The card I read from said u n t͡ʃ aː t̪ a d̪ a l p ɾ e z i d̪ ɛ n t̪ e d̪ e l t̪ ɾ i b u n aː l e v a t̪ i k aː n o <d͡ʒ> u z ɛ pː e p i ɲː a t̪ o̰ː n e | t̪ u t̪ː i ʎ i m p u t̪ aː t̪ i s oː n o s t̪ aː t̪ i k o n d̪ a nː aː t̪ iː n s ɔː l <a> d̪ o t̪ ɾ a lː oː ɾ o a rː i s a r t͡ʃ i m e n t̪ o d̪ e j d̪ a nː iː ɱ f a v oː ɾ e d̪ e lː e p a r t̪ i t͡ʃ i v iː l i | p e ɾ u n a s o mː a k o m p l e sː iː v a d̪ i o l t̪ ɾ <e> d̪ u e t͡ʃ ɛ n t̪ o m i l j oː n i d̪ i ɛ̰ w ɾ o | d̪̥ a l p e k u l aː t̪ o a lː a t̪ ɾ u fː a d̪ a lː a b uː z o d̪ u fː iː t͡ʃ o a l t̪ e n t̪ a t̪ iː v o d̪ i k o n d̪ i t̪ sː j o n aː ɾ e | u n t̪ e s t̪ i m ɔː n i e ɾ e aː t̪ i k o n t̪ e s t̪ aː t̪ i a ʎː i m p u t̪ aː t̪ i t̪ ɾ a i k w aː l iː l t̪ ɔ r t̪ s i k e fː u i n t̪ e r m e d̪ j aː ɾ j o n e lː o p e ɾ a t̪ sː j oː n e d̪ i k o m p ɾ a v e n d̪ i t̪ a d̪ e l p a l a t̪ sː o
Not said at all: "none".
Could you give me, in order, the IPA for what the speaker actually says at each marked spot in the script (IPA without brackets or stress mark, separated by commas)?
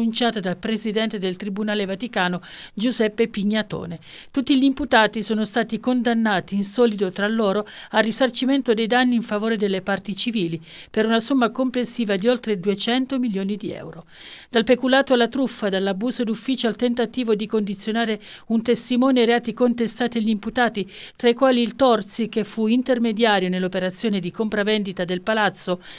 d͡ʒ, i, e